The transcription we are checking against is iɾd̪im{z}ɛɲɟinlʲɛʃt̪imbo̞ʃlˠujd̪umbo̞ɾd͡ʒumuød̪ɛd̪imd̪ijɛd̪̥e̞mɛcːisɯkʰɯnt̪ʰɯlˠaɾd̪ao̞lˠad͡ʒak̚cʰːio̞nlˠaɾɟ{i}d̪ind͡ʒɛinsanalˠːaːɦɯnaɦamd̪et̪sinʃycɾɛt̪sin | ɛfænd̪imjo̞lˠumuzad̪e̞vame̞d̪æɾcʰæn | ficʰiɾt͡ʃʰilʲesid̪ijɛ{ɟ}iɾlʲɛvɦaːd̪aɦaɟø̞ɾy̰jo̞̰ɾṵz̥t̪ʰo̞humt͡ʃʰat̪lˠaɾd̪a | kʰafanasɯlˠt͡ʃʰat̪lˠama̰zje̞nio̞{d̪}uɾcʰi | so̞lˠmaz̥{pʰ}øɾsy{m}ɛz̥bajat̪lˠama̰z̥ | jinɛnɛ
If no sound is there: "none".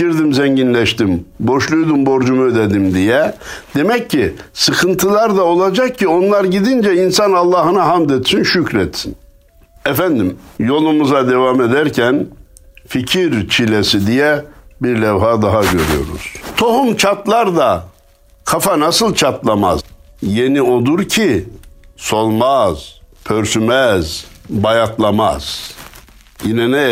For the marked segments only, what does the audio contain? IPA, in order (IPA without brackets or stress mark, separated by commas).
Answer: z, i, b, d̪, pʰ, m